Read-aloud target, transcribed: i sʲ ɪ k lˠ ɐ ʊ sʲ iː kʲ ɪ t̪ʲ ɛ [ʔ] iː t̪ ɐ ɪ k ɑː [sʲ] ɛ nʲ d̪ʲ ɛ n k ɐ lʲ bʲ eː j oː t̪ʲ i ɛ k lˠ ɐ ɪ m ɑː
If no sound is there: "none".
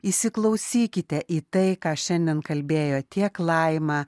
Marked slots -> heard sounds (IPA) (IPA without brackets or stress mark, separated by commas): ʔ, ʃʲ